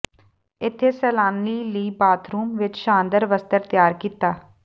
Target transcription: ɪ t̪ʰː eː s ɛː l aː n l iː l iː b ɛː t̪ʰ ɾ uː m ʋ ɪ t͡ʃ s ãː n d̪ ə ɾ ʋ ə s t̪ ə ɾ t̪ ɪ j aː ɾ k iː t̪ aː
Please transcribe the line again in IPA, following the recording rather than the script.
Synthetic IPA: ɪ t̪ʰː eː s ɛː l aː n l iː l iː b aː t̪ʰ ɾ uː m ʋ ɪ t͡ʃ ʃ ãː n d̪ ə ɾ ʋ ə s t̪ ə ɾ t̪ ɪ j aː ɾ k iː t̪ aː

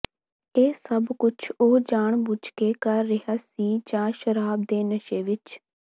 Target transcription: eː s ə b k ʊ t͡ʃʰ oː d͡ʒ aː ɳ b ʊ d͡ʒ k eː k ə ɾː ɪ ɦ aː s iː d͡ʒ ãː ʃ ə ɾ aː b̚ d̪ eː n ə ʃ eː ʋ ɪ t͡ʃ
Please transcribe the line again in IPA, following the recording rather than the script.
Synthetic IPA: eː s ə b k ʊ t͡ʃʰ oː d͡ʒ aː ɳ b ʊ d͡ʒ k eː k ə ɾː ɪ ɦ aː s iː d͡ʒ ãː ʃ ə ɾ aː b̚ d̪ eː n ə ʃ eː ʋ ɪ t͡ʃ

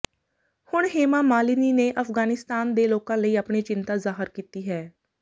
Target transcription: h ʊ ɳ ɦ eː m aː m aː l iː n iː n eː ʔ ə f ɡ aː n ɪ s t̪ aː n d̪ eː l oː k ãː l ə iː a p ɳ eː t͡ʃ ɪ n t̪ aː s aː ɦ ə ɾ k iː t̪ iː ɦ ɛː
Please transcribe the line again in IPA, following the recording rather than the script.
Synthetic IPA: h ʊ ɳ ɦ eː m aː m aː l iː n iː n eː ʔ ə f ɡ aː n ɪ s t̪ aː n d̪ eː l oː k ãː l ə iː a p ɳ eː t͡ʃ ɪ n t̪ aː z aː ɦ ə ɾ k iː t̪ iː ɦ ɛː

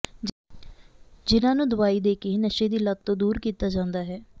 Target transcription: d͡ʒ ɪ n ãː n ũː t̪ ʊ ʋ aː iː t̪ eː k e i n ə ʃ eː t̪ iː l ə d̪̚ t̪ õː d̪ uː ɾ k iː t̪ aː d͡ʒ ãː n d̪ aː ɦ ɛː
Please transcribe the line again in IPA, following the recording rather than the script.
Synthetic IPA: d͡ʒ ɪ n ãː n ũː d̪ ʊ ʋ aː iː d̪ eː k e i n ə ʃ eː d̪ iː l ə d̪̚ t̪ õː d̪ uː ɾ k iː t̪ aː d͡ʒ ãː n d̪ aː ɦ ɛː

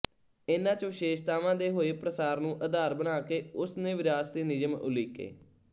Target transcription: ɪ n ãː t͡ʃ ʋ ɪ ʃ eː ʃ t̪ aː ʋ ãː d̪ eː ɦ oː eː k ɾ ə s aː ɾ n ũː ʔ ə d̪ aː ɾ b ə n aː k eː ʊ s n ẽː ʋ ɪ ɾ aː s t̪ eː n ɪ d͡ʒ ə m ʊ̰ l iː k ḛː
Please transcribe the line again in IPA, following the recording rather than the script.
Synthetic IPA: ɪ n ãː t͡ʃ ʋ ɪ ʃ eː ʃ t̪ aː ʋ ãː d̪ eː ɦ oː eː p ɾ ə s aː ɾ n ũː ʔ ə d̪ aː ɾ b ə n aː k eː ʊ s n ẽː ʋ ɪ ɾ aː s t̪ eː n ɪ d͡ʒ ə m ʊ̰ l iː k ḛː

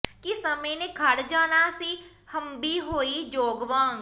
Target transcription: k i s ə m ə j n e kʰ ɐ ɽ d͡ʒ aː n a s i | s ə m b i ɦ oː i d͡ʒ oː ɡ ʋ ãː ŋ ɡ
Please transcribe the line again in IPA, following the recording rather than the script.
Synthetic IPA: k i s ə m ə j n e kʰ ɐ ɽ d͡ʒ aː n a s i | h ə m b i ɦ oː i d͡ʒ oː ɡ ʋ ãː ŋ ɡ

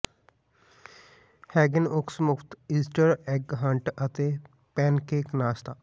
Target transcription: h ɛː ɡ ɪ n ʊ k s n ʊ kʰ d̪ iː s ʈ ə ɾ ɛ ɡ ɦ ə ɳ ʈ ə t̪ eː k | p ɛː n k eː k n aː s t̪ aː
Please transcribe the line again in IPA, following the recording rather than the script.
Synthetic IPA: h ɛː ɡ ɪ n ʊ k s m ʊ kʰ t̪ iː s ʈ ə ɾ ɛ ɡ ɦ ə ɳ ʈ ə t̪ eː | p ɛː n k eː k n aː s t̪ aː

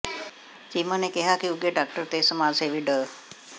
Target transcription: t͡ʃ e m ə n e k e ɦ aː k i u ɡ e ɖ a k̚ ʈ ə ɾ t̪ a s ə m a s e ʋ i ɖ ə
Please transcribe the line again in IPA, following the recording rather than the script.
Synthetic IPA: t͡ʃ i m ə n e k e ɦ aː k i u ɡ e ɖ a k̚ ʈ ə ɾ t̪ e s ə m a s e ʋ i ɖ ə

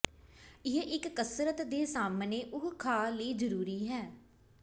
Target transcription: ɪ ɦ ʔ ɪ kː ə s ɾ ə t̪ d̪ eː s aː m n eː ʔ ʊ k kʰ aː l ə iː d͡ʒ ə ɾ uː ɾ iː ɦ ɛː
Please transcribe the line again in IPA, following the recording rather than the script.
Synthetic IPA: ɪ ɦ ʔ ɪ kː ə s ɾ ə t̪ d̪ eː s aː m n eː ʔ ʊ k kʰ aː l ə iː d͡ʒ ə ɾ uː ɾ iː ɦ ɛː

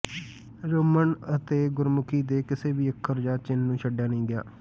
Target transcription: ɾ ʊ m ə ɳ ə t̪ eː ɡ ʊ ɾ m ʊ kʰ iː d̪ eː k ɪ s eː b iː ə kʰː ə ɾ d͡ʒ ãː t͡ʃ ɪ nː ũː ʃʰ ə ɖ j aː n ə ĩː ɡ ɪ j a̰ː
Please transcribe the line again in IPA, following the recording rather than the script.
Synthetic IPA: ɾ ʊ m ə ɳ ə t̪ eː ɡ ʊ ɾ m ʊ kʰ iː d̪ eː k ɪ s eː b iː ə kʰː ə ɾ d͡ʒ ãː t͡ʃ ɪ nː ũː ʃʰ ə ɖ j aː n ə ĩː ɡ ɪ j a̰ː

